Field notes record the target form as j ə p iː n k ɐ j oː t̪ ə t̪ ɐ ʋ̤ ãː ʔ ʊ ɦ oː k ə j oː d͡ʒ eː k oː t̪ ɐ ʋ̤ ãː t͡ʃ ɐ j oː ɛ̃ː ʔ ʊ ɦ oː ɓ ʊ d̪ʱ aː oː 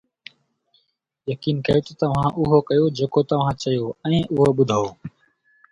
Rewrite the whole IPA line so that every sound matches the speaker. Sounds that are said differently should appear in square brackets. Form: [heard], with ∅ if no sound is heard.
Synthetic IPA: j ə [k] iː n k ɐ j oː t̪ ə t̪ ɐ ʋ̤ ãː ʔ ʊ ɦ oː k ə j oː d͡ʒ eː k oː t̪ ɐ ʋ̤ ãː t͡ʃ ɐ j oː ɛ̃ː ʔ ʊ ɦ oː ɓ ʊ d̪ʱ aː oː

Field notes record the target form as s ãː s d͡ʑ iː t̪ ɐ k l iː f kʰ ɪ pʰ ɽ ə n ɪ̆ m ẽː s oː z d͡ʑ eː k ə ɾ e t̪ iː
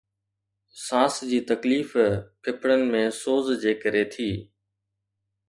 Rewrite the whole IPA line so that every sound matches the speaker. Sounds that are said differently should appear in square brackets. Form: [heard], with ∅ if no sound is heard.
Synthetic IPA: s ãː s d͡ʑ iː t̪ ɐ k l iː f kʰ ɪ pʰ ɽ ə n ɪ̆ m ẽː s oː z d͡ʑ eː k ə ɾ e [t̪ʰ] iː

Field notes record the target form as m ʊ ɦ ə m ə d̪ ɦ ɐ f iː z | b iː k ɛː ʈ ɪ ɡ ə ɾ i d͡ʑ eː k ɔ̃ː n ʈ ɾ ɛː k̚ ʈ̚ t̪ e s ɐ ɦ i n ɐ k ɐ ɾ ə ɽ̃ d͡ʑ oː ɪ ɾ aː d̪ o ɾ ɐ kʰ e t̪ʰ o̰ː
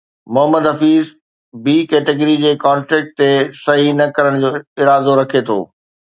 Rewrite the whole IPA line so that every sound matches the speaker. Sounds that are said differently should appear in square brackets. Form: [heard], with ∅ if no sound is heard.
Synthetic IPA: m ʊ ɦ ə m ə d̪ ɦ ɐ f iː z | b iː k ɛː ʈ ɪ ɡ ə ɾ i d͡ʑ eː k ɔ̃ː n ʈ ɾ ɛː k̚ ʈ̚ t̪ e s ɐ ɦ i n ɐ k ɐ ɾ ə ɽ̃ d͡ʑ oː ɪ ɾ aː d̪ o ɾ ɐ kʰ e t̪ʰ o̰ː

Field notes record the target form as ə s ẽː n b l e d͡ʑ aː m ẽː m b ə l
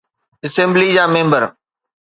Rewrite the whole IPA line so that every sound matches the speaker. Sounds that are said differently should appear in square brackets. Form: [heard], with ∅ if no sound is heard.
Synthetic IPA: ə s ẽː [m] b l [i] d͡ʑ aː m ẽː m b ə [ɾ]

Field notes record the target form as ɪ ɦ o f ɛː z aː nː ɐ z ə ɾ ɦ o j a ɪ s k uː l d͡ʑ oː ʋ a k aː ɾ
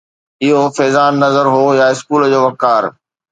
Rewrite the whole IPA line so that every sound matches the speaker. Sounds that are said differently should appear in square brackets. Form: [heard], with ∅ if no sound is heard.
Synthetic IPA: ɪ ɦ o f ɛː z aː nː ɐ z ə ɾ ɦ o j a ɪ s k uː l d͡ʑ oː ʋ [ɐ] k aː ɾ

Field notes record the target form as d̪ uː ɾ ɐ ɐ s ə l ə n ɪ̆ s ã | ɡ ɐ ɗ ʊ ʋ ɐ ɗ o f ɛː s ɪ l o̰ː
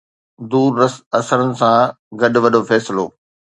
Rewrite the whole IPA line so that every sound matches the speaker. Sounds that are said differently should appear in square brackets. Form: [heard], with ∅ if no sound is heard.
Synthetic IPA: d̪ uː ɾ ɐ ɐ s ə [ɾ] ə n ɪ̆ s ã | ɡ ɐ ɗ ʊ ʋ ɐ ɗ o f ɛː s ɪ l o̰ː

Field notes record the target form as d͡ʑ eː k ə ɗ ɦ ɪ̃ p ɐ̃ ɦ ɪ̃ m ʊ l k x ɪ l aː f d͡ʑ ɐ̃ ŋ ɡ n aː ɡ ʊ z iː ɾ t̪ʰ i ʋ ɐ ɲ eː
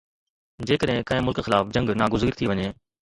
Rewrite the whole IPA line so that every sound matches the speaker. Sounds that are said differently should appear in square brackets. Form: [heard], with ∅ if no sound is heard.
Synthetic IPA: d͡ʑ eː k ə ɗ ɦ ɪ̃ [k] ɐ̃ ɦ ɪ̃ m ʊ l k x ɪ l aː f d͡ʑ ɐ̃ ŋ ɡ n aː ɡ ʊ z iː ɾ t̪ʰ i ʋ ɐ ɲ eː

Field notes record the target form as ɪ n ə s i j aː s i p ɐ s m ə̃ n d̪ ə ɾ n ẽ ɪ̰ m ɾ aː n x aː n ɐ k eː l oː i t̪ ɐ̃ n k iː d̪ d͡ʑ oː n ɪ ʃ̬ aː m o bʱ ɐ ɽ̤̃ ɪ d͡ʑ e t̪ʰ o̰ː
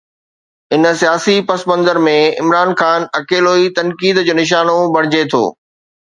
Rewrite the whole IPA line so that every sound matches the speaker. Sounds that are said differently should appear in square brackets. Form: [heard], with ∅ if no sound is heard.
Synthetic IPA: ɪ n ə s i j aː s i p ɐ s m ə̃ n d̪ ə ɾ [m] ẽ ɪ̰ m ɾ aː n x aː n ɐ k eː l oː i t̪ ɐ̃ n k iː d̪ d͡ʑ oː n ɪ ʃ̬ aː [n] o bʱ ɐ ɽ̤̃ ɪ d͡ʑ e t̪ʰ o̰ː

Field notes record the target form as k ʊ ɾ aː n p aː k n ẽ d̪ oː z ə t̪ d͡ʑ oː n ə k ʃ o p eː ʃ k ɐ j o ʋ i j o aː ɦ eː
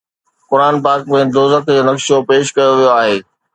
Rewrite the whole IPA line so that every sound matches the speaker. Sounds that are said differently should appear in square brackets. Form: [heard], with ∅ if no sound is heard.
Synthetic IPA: k ʊ ɾ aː n p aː k [m] ẽ d̪ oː z ə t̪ d͡ʑ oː n [ɐ] k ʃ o p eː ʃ k ɐ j o ʋ i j o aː ɦ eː

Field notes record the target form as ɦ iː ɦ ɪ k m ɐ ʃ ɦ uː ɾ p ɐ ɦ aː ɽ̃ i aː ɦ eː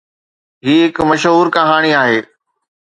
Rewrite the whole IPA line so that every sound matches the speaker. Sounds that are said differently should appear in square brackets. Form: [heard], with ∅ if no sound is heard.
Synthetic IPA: ɦ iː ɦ ɪ k m ɐ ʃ ɦ uː ɾ [k] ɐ ɦ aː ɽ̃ i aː ɦ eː

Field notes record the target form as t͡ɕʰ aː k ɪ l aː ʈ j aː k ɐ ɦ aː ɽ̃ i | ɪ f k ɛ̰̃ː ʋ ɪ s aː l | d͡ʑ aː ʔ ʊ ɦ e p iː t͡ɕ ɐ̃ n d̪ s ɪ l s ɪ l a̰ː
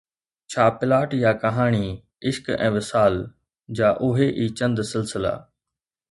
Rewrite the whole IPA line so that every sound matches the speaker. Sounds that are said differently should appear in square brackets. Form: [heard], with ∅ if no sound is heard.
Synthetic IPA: t͡ɕʰ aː [p] ɪ l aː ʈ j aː k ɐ ɦ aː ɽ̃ i | ɪ [ʃ] k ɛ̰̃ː ʋ ɪ s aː l | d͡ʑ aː ʔ ʊ ɦ e [ʔ] iː t͡ɕ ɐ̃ n d̪ s ɪ l s ɪ l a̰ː

